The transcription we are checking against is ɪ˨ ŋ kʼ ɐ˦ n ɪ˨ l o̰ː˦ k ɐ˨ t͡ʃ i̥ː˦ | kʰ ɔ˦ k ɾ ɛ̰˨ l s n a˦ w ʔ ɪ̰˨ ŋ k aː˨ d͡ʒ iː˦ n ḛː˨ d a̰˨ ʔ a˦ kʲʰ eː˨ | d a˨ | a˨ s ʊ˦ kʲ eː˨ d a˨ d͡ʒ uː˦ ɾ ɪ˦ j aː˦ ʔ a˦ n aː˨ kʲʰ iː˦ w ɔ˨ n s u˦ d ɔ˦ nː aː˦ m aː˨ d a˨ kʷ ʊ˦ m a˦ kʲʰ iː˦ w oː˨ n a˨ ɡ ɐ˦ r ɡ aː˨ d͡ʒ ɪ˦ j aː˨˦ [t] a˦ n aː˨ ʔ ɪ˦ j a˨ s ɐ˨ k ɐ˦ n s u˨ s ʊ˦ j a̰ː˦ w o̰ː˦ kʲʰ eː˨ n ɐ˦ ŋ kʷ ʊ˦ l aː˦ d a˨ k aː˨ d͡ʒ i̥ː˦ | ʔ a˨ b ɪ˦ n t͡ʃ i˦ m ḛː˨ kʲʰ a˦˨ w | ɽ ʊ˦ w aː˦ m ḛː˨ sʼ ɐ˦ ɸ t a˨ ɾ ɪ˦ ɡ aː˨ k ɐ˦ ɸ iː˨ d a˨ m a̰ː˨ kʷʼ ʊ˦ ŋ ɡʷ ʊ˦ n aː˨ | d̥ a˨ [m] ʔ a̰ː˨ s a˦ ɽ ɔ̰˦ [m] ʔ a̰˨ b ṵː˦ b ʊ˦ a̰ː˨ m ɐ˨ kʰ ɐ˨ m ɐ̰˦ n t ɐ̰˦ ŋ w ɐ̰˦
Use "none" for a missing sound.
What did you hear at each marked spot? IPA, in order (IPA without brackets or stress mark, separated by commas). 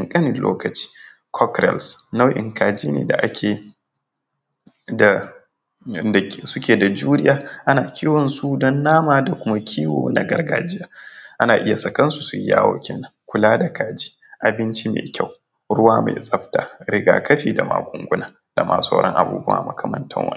ʔ, m, ŋ